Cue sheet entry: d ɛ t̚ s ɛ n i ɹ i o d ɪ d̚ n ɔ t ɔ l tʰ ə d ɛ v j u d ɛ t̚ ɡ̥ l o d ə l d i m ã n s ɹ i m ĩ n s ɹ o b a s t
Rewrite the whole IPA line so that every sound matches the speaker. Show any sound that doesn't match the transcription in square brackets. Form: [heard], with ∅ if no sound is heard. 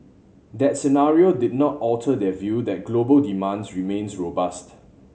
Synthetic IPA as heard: d ɛ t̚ s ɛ n [a] ɹ i o d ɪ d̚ n ɔ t ɔ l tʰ ə d ɛ v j u d ɛ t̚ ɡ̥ l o [b] ə l d i m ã n s ɹ i m [ẽ] n s ɹ o b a s t